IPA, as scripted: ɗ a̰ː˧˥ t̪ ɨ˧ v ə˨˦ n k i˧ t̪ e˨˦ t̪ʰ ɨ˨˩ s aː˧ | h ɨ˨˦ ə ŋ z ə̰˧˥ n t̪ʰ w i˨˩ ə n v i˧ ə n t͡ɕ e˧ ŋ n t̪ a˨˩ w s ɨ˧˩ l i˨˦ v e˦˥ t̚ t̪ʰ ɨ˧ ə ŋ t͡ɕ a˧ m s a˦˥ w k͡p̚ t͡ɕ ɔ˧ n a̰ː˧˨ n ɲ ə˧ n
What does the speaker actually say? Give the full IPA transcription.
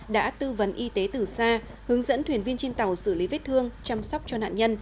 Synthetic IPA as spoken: ɗ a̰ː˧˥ t̪ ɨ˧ v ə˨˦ n ʔ i˧ t̪ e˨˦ t̪ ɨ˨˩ s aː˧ | h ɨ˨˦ ə ŋ z ə̰˧˥ n t̪ʰ w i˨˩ ə n v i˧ ə n t͡ɕ e˧ n t̪ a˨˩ w s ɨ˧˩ l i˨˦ v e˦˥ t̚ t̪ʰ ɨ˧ ə ŋ t͡ɕ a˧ m s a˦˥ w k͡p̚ t͡ɕ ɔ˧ n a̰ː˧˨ n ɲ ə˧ n